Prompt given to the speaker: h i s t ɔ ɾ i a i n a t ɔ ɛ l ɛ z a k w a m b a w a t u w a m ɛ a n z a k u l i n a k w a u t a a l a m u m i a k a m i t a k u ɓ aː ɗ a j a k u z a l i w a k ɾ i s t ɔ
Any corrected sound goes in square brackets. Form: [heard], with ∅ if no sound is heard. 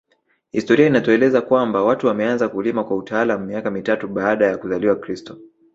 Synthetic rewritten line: h i s t ɔ ɾ i a i n a t ɔ ɛ l ɛ z a k w a m b a w a t u w a m ɛ a n z a k u l i [m] a k w a u t a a l a m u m i a k a m i t a [t] u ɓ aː ɗ a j a k u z a l i w a k ɾ i s t ɔ